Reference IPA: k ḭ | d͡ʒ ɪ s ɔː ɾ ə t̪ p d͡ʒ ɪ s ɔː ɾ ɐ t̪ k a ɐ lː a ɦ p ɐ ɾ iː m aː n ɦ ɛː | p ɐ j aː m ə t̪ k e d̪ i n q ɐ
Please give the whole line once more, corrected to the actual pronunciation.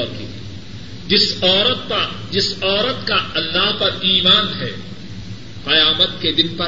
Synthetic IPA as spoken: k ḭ | d͡ʒ ɪ s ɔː ɾ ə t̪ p d͡ʒ ɪ s ɔː ɾ ə t̪ k a ɐ lː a ɦ p ɐ ɾ iː m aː n ɦ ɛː | q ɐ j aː m ə t̪ k e d̪ ɪ n p ɐ